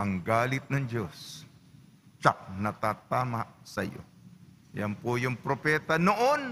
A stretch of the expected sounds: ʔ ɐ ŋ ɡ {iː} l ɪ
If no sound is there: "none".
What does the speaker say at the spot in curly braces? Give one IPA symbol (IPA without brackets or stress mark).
aː